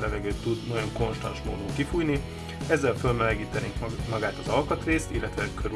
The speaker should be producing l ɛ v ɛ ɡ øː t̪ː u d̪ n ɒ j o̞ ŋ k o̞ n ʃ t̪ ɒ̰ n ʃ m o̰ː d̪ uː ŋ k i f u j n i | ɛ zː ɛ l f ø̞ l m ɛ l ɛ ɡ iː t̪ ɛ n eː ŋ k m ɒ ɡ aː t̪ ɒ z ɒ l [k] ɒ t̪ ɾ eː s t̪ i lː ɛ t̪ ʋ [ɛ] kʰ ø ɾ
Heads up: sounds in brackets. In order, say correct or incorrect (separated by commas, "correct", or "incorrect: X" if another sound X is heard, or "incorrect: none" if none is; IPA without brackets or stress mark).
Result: correct, correct